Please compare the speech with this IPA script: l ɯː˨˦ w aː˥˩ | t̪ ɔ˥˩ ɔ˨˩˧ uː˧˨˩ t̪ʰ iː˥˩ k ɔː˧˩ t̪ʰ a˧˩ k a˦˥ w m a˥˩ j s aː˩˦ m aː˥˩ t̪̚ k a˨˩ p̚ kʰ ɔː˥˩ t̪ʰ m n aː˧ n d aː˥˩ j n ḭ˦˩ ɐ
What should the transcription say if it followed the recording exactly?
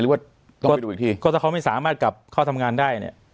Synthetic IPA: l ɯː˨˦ w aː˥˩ | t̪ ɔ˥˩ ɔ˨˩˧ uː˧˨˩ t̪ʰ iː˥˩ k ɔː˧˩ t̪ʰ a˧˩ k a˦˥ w m a˥˩ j s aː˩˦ m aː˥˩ t̪̚ k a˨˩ p̚ kʰ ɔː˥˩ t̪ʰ m ŋ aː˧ n d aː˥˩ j n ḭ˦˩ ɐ